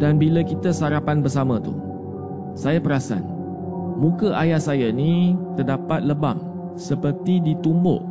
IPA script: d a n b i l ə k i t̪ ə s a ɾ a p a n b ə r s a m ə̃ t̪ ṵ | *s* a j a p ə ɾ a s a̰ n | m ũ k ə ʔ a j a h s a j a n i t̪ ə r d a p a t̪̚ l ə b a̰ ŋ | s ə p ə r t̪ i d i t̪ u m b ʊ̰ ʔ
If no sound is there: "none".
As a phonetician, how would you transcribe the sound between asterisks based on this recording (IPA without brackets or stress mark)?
s